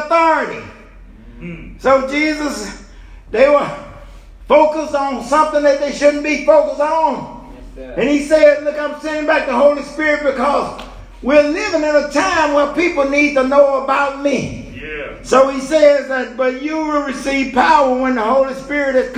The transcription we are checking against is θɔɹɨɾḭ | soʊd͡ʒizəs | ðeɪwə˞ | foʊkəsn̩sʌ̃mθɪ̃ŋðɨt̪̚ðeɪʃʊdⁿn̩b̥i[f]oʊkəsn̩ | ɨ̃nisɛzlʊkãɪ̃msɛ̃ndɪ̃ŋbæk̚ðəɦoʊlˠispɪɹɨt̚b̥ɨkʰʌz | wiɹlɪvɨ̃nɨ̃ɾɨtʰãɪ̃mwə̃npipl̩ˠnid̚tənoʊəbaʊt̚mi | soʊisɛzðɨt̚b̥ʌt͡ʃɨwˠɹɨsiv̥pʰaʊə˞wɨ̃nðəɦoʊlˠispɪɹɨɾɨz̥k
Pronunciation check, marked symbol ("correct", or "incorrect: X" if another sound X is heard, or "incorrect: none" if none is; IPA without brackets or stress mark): correct